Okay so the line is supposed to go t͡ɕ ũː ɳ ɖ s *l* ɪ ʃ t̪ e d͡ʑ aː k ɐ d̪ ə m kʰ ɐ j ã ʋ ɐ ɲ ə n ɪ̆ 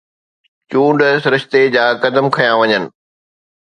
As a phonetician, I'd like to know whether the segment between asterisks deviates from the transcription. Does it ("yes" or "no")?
yes